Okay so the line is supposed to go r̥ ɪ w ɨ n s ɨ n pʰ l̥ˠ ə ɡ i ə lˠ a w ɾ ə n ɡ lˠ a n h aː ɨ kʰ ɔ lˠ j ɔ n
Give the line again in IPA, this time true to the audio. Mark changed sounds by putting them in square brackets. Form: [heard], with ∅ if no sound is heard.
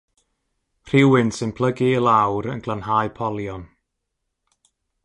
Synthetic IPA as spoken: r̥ ɪ w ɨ n s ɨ n pʰ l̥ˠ ə ɡ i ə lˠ a w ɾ ə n ɡ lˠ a n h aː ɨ [pʰ] ɔ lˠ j ɔ n